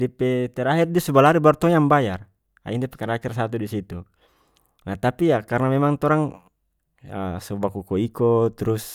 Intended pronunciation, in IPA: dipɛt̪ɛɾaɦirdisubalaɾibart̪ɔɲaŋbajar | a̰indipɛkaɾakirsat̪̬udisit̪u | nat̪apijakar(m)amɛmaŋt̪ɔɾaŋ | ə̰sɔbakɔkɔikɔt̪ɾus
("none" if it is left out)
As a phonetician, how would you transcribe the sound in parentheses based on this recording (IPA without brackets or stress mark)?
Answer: n